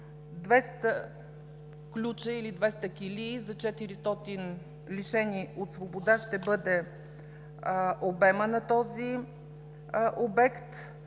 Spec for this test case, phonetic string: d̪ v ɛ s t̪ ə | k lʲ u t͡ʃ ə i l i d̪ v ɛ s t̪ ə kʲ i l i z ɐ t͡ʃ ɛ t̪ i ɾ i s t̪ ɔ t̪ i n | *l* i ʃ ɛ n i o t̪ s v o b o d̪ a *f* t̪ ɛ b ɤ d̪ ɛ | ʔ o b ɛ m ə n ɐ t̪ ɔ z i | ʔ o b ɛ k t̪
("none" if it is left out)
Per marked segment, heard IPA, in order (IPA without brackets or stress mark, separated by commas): l, ʃ